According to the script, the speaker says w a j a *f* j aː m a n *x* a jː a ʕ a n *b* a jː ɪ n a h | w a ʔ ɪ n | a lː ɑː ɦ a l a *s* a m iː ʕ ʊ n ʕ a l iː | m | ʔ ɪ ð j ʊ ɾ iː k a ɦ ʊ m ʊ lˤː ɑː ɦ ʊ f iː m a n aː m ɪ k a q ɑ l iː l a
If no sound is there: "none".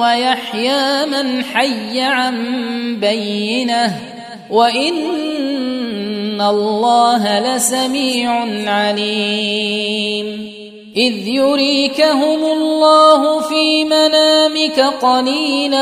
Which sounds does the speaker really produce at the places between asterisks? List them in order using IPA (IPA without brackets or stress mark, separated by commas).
ħ, ħ, b, s